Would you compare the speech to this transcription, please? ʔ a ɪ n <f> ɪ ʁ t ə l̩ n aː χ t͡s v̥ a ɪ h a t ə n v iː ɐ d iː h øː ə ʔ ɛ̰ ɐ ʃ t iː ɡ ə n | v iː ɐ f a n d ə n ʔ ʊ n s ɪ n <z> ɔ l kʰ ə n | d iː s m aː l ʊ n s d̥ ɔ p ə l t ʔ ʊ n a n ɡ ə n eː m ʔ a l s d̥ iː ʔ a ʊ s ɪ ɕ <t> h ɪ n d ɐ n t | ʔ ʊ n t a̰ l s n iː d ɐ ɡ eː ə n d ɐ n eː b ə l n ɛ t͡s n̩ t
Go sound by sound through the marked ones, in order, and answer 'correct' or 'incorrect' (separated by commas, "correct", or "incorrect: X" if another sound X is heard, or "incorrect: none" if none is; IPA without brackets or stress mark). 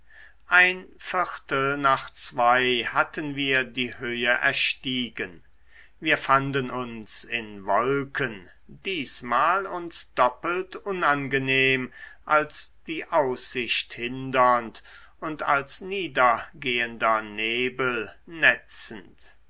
correct, incorrect: v, correct